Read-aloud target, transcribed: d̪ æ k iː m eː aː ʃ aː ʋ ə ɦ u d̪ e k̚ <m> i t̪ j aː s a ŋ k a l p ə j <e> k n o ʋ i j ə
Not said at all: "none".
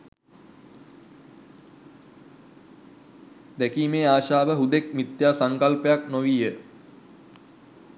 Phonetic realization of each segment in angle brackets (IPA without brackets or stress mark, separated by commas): m, a